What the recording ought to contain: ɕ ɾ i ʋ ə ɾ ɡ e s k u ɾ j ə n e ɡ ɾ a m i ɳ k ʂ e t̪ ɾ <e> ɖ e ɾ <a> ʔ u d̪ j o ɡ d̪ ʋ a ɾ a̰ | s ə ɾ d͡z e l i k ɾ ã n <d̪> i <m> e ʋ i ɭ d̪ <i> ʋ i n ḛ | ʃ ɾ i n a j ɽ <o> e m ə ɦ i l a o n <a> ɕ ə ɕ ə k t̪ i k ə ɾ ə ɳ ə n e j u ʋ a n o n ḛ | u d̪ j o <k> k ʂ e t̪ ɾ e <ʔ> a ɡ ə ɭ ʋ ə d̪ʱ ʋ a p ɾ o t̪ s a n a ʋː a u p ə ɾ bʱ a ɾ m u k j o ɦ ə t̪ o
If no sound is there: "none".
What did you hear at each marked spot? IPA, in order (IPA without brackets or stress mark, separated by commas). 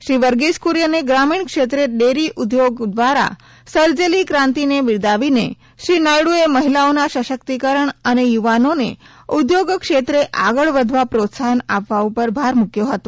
e, i, t̪, n, a, u, a, ɡ, ʔ